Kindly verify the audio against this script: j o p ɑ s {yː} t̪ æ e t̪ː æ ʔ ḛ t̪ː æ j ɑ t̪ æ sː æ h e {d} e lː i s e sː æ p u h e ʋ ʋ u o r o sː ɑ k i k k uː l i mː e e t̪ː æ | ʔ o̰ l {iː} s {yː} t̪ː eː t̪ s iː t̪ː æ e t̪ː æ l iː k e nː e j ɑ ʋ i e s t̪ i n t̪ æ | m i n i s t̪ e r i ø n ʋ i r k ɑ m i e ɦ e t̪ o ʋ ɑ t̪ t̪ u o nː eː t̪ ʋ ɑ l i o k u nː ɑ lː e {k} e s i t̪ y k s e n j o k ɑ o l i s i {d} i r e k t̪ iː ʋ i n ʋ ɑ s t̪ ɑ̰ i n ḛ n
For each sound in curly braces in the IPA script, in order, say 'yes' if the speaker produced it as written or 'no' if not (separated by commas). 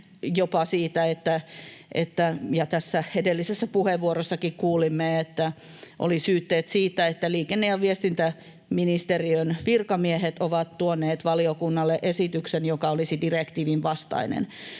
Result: no, yes, no, yes, no, yes